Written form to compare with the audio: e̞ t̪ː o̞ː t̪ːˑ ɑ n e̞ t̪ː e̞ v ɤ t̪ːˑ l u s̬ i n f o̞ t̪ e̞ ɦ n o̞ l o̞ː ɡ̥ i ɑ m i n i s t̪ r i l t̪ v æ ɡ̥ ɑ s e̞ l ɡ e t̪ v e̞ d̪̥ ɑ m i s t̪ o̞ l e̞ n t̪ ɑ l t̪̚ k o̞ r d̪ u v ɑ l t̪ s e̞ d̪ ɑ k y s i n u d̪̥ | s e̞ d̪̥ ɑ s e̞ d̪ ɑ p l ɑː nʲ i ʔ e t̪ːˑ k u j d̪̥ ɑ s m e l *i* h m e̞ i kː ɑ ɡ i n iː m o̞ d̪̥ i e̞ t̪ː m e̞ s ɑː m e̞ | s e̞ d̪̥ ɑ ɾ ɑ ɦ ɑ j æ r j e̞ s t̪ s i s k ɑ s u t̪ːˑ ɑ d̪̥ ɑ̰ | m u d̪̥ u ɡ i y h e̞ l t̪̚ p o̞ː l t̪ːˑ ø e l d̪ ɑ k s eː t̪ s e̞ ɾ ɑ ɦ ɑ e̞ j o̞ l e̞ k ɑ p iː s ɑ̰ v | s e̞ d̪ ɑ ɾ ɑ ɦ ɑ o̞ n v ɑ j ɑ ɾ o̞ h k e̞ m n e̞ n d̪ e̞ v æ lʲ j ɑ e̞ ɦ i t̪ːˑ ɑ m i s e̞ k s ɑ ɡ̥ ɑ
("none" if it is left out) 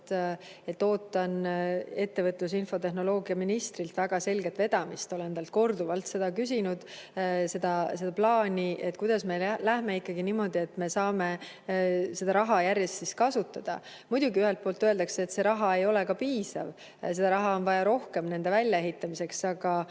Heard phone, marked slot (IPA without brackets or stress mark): æ